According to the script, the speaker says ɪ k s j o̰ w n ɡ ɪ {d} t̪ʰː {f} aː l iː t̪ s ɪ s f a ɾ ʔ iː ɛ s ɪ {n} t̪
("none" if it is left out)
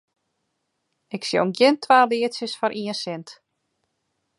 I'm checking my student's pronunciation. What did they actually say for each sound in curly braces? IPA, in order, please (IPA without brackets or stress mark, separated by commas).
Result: n, v, n